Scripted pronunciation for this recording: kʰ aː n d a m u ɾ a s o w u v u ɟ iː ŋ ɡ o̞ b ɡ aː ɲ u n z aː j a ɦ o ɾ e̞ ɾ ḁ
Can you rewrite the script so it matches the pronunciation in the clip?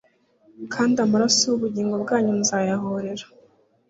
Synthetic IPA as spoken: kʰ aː n d a m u ɾ a s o w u β u ɟ iː ŋ ɡ o̞ b ɡ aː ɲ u n z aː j a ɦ o ɾ e̞ ɾ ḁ